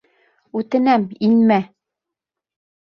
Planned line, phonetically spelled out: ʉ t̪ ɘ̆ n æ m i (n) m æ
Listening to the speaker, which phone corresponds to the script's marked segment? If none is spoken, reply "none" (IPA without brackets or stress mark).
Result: n